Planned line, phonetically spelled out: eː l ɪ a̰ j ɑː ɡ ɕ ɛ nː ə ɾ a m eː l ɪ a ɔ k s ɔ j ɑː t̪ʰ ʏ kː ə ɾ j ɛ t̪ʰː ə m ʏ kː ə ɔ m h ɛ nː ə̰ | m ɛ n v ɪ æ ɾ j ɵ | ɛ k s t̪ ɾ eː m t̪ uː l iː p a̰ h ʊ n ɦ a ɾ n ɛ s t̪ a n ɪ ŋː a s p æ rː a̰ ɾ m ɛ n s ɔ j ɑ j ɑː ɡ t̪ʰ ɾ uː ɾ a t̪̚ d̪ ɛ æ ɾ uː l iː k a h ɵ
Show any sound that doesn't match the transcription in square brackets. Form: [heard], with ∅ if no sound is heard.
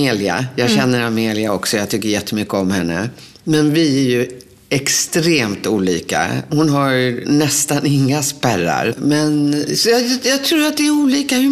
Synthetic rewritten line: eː l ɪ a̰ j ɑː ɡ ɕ ɛ nː ə ɾ a m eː l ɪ a ɔ k s ɔ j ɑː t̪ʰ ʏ kː ə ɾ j ɛ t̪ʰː ə m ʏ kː ə ɔ m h ɛ nː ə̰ | m ɛ n v ɪ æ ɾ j ɵ | ɛ k s t̪ ɾ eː m t̪ uː l iː [k] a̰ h ʊ n ɦ a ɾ n ɛ s t̪ a n ɪ ŋː a s p æ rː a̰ ɾ m ɛ n s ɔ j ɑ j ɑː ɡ t̪ʰ ɾ uː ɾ a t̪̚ d̪ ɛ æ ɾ uː l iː k a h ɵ